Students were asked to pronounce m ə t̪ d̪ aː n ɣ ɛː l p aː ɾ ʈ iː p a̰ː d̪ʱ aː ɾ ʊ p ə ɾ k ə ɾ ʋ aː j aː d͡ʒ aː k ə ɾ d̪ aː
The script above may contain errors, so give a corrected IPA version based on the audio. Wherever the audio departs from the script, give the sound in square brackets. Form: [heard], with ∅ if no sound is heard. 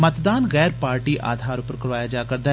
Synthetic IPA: m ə t̪ d̪ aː n ɣ ɛː [ɾ] p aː ɾ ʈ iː [ʔ] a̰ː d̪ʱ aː ɾ ʊ p ə ɾ k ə ɾ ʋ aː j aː d͡ʒ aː k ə ɾ d̪ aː